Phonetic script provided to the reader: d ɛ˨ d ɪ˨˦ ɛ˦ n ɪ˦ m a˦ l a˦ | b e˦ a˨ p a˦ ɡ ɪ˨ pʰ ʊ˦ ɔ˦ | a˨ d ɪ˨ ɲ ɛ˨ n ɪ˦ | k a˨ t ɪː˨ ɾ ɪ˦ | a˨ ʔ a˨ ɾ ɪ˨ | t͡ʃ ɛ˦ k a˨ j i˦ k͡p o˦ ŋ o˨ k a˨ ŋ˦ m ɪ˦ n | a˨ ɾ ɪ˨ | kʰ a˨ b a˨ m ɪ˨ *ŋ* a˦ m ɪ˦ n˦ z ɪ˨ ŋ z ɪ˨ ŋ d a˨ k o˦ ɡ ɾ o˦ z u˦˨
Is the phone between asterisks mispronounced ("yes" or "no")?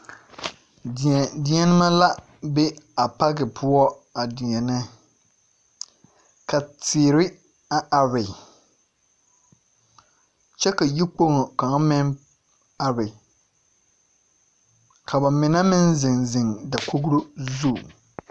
yes